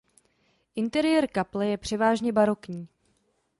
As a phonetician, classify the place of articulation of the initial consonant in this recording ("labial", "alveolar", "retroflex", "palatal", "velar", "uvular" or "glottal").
glottal